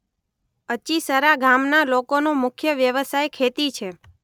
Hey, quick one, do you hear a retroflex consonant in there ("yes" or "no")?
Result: no